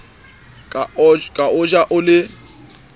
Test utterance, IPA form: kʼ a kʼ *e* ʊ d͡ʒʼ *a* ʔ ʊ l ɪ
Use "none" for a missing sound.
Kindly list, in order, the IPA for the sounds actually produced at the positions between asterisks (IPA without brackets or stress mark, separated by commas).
a, a